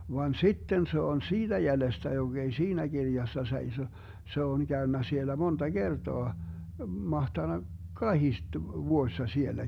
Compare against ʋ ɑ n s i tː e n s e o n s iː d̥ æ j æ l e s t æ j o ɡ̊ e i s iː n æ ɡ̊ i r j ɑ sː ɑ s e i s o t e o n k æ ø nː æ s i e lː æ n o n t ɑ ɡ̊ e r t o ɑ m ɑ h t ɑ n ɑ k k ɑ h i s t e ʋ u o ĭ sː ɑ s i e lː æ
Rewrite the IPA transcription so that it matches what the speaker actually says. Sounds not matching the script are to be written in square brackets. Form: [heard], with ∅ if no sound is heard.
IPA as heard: ʋ ɑ n s i tː e n s e o n s iː d̥ æ j æ l e s t æ j o ɡ̊ e i s iː n æ ɡ̊ i r j ɑ sː ɑ s e i s o [s] e o n k æ ø nː æ s i e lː æ [m] o n t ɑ ɡ̊ e r t o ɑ m ɑ h t ɑ n ɑ k k ɑ h i s t e ʋ u o ĭ sː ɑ s i e lː æ